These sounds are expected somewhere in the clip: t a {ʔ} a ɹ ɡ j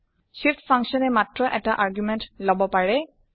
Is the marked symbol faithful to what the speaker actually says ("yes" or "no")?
yes